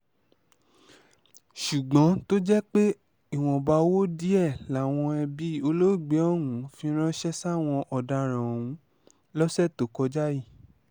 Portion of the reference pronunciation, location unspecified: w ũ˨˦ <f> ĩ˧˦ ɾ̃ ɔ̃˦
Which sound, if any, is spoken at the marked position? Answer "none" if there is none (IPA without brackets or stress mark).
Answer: f